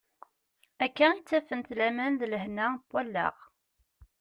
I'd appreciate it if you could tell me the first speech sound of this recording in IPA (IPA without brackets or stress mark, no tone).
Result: æ